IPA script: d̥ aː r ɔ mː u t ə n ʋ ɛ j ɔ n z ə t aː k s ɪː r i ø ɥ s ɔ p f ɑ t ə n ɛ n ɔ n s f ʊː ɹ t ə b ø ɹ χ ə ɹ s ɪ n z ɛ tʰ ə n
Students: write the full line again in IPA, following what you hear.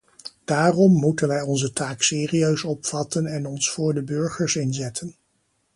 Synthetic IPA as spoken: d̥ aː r ɔ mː u t ə n ʋ ɛ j ɔ n z ə t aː k s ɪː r i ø ɥ s ɔ p f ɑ t ə n ɛ n ɔ n s f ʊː ɹ d ə b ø ɹ χ ə ɹ s ɪ n z ɛ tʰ ə n